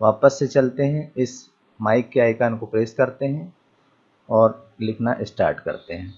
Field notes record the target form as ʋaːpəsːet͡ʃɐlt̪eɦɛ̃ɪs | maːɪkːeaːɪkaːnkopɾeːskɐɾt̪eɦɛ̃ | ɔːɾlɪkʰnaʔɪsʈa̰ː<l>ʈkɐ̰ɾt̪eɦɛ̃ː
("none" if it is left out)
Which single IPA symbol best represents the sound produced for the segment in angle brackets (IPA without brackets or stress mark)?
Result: ɾ